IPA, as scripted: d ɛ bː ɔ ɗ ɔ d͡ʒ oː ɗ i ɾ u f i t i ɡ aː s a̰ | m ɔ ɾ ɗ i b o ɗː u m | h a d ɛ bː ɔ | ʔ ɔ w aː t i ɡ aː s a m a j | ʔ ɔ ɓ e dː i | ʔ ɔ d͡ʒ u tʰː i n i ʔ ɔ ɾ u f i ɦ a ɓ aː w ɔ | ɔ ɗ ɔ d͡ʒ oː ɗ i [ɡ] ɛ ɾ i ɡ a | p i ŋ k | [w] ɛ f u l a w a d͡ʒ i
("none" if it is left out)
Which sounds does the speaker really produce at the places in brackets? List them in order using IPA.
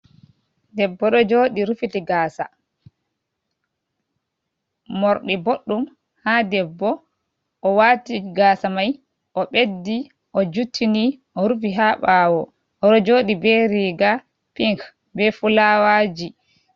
b, b

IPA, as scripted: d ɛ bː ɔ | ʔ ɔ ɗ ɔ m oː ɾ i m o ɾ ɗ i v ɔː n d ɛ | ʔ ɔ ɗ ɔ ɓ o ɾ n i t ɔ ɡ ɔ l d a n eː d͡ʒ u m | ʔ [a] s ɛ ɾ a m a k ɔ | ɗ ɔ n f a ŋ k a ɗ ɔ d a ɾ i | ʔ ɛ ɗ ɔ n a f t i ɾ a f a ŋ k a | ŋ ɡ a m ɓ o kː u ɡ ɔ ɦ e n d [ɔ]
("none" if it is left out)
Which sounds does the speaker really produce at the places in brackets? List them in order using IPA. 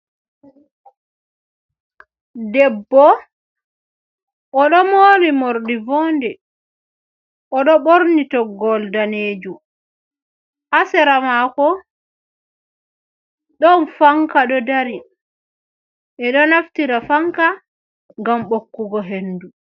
a, u

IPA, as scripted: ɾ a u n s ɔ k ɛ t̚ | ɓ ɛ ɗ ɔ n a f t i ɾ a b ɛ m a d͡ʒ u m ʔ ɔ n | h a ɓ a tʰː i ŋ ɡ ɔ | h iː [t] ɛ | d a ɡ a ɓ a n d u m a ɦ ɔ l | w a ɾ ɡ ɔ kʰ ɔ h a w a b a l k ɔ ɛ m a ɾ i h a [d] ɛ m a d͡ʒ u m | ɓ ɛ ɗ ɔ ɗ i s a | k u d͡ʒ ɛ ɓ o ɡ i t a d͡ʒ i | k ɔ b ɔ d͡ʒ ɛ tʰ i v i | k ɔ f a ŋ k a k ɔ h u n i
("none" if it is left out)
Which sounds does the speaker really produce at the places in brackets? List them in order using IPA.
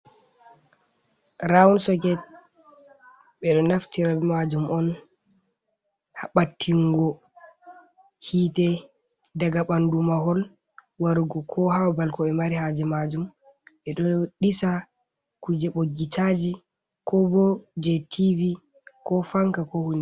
t, d͡ʒ

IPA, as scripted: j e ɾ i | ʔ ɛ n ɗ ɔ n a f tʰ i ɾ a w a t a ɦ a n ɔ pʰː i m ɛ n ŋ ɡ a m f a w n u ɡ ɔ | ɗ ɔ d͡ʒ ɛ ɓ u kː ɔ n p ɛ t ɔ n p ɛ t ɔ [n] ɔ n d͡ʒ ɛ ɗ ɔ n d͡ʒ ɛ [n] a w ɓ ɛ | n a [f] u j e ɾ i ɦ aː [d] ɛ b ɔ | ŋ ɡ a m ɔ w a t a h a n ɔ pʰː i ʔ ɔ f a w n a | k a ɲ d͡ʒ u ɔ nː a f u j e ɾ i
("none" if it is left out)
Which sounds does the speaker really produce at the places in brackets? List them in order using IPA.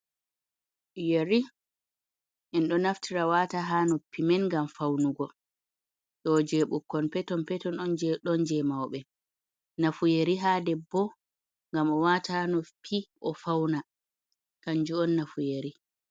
n, m, f, d

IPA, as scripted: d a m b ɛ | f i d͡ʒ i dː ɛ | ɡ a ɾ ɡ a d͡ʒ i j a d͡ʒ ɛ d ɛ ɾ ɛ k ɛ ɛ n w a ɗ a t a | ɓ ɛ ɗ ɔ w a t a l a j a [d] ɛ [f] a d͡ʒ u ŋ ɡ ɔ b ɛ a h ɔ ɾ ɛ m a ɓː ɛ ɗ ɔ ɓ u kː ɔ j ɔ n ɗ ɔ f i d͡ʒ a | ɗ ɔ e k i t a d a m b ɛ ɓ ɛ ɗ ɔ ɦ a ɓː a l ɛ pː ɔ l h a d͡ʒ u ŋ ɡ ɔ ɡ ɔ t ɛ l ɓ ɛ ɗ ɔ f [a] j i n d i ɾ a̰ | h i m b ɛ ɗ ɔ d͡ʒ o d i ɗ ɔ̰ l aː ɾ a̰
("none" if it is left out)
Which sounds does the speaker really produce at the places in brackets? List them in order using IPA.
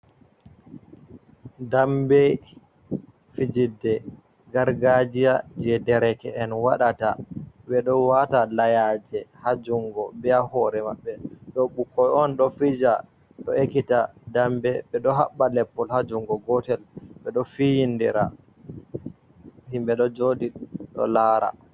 d͡ʒ, h, i

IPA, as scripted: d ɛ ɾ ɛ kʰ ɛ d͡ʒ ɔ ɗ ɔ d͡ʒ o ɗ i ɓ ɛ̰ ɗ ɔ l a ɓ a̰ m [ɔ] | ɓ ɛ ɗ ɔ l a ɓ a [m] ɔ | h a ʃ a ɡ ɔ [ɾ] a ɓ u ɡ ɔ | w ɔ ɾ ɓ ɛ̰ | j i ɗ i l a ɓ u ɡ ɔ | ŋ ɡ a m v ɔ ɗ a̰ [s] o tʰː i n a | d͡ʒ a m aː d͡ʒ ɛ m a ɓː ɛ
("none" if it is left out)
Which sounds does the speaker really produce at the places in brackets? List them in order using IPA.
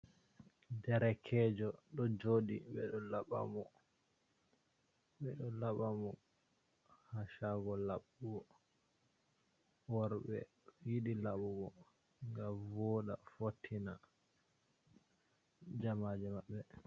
ɔ, m, l, f

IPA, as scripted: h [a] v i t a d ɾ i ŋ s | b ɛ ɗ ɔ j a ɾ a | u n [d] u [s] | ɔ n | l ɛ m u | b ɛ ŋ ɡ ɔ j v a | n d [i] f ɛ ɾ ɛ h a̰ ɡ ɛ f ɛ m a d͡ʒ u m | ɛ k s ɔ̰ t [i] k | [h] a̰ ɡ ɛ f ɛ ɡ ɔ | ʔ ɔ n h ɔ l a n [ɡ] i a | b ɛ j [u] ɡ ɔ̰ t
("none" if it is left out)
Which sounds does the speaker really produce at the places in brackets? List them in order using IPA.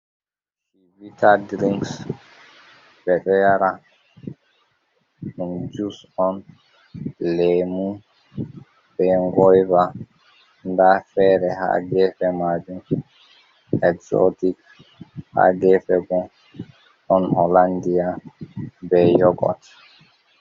i, d͡ʒ, s, a, i, h, d, ɔ

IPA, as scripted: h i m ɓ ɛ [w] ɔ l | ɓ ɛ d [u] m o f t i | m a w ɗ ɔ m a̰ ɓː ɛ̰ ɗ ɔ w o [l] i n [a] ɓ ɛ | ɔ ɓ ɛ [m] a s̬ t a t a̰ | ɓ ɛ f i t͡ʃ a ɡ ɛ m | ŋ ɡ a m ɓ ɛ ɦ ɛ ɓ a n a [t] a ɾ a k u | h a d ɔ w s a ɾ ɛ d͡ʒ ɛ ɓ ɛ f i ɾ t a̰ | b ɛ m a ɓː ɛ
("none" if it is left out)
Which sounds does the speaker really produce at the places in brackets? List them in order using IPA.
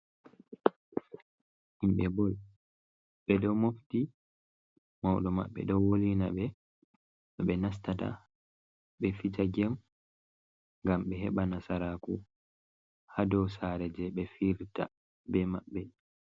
b, ɔ, l, a, n, s

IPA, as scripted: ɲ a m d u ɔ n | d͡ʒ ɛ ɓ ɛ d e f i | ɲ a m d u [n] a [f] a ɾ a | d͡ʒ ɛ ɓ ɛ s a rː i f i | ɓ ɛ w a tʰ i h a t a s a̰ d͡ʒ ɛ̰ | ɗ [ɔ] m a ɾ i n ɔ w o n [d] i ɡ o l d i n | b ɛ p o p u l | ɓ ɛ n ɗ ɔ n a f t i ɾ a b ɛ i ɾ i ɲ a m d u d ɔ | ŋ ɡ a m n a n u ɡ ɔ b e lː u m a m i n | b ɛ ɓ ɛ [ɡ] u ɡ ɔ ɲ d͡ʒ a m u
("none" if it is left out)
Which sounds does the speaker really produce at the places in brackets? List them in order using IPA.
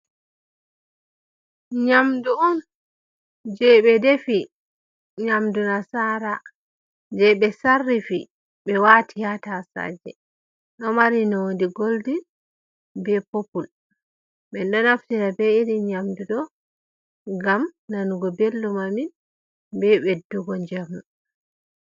n, s, ɔ, d, d

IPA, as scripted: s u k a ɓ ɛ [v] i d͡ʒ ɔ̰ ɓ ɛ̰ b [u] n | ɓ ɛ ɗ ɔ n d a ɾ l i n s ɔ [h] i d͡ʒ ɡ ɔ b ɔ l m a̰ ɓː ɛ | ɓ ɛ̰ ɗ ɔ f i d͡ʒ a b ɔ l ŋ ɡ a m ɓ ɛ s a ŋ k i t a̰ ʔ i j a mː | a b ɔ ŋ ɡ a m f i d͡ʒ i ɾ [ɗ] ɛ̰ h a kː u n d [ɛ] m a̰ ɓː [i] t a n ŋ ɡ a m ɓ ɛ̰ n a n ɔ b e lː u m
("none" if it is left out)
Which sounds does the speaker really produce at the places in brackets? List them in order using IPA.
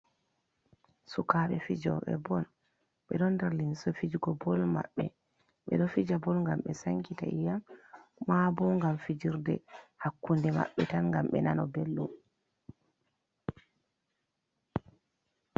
f, ɔ, f, d, ɛ, ɛ

